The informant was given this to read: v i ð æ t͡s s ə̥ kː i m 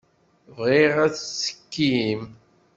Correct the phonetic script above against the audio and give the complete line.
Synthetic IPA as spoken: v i ʁ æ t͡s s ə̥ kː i m